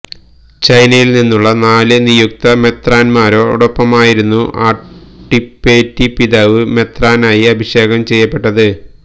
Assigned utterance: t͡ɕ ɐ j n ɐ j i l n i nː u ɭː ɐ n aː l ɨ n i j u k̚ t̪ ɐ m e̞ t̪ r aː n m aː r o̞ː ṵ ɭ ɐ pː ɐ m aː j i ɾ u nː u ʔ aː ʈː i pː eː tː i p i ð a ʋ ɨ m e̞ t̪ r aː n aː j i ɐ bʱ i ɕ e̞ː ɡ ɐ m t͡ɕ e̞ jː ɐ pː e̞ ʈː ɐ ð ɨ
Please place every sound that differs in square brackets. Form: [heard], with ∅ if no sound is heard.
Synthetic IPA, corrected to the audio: t͡ɕ ɐ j n ɐ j i l n i nː u ɭː ɐ n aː l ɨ n i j u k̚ t̪ ɐ m e̞ t̪ r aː n m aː [ɾ] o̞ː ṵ [ɽ] ɐ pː ɐ m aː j i ɾ u nː u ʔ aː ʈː i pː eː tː i p i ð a ʋ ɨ m e̞ t̪ r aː n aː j i ɐ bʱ i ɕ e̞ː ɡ ɐ m t͡ɕ e̞ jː ɐ pː e̞ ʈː ɐ ð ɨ